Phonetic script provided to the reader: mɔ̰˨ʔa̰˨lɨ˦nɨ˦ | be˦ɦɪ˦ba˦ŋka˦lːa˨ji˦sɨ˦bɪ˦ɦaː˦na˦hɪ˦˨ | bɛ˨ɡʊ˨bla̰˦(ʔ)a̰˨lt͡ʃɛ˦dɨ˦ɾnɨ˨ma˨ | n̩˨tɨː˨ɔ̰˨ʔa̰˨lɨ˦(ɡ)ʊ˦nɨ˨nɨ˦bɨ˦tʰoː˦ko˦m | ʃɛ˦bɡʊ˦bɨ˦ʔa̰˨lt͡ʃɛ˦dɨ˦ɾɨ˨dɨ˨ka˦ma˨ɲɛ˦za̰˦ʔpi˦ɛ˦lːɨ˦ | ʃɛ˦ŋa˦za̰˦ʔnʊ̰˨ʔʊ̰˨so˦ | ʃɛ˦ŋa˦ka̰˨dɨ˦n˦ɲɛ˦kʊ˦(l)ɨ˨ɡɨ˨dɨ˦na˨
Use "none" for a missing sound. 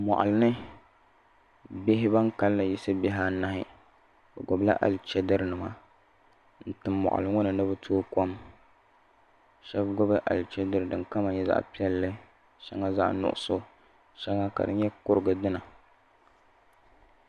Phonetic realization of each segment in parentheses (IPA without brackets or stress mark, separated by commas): ʔ, ŋ, ɾ